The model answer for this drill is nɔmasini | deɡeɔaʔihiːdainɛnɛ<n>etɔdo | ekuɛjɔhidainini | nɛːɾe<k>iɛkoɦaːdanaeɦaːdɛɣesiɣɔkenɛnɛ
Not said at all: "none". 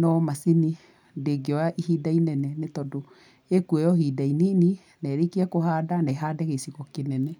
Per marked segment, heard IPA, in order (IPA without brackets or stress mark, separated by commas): n, k